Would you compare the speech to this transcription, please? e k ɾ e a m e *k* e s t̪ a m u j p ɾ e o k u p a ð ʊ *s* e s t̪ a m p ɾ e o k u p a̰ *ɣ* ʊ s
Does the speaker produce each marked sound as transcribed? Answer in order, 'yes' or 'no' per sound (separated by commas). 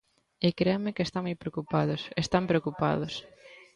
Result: yes, yes, no